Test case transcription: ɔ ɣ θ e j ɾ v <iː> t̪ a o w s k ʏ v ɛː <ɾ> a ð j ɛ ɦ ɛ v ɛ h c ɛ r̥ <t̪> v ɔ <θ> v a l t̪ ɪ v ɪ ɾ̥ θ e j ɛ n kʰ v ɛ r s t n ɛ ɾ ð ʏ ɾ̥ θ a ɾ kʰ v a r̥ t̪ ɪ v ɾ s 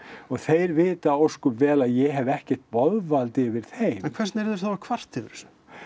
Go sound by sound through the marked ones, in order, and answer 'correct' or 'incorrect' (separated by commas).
incorrect, incorrect, correct, incorrect